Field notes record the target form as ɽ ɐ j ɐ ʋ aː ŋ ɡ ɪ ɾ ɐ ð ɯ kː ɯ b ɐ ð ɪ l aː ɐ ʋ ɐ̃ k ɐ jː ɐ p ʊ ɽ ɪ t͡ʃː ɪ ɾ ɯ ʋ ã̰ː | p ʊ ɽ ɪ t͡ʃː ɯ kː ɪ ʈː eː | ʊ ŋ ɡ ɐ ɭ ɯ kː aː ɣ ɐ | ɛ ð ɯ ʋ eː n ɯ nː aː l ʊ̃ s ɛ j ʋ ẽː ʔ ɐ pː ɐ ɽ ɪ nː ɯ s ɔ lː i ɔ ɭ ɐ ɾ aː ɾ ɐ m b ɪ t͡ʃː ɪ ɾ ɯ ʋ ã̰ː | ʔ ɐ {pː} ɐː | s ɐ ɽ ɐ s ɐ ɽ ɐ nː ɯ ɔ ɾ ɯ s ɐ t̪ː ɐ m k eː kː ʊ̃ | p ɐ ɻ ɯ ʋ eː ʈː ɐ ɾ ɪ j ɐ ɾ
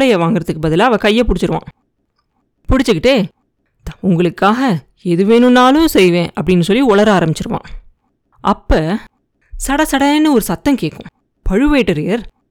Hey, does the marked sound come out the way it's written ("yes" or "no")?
yes